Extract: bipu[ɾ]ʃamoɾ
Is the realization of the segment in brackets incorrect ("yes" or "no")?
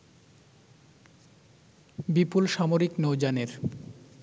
yes